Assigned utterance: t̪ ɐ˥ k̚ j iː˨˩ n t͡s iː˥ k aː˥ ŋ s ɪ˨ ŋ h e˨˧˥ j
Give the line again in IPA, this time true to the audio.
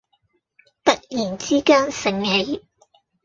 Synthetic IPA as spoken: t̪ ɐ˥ t̚ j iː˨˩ n t͡s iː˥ k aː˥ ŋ s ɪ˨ ŋ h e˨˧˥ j

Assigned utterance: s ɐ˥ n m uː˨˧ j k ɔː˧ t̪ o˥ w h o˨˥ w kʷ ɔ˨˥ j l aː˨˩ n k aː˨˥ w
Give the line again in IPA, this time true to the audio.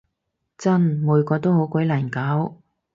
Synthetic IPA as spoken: t͡s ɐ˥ n m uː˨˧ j k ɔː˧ t̪ o˥ w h o˨˥ w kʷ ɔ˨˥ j l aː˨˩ n k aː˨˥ w

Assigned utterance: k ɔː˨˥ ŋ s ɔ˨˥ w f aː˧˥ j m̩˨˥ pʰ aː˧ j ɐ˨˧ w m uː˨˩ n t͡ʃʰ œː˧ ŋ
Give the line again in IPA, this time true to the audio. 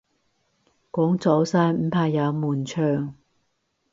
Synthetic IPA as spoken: k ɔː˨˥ ŋ t͡s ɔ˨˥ w s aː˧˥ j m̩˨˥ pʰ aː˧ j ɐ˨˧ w m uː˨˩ n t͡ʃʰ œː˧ ŋ

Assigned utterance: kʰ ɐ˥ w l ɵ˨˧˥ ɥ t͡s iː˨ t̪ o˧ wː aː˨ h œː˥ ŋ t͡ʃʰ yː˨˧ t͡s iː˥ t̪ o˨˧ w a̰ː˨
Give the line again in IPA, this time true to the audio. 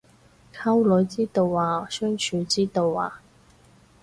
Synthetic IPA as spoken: kʰ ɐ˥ w l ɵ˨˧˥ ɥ t͡s iː˥ t̪ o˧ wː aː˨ s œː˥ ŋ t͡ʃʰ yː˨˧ t͡s iː˥ t̪ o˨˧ w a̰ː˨

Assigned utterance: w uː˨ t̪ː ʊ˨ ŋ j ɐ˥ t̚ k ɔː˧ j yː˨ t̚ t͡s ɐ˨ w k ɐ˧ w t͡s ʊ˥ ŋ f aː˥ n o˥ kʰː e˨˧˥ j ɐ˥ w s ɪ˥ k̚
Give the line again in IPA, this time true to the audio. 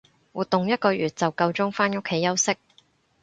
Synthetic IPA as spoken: w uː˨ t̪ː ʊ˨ ŋ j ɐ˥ t̚ k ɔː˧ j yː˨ t̚ t͡s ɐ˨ w k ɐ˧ w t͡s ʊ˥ ŋ f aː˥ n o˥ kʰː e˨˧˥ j ɐ˥ w s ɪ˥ k̚

